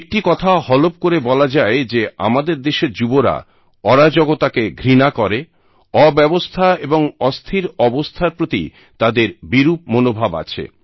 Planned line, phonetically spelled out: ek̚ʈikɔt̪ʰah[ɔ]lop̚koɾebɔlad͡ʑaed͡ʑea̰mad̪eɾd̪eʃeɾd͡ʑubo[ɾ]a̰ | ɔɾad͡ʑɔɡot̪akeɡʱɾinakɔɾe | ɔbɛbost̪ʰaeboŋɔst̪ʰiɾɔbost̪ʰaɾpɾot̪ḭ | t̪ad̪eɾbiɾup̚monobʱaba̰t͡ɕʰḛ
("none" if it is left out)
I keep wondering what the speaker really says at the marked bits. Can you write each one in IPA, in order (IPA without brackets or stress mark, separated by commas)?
ɔ, ɾ